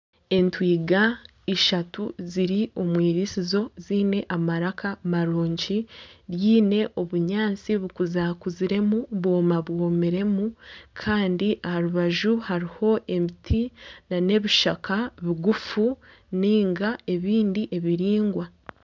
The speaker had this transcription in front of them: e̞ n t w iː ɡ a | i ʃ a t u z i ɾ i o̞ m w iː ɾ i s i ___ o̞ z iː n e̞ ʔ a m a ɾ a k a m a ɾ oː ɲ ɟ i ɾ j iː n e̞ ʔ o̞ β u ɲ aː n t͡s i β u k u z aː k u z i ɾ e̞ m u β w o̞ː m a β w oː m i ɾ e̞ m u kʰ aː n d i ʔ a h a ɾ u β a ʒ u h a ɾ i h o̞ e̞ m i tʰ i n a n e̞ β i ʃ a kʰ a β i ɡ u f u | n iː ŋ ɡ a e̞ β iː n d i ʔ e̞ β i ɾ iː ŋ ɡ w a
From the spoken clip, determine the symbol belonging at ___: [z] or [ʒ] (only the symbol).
z